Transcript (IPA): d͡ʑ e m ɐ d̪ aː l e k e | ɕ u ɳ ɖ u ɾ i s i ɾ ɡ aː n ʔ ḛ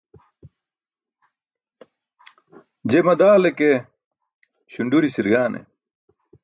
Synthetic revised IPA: d͡ʑ e m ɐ d̪ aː l e k e | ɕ u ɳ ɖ u ɾ i s i ɾ ɡ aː n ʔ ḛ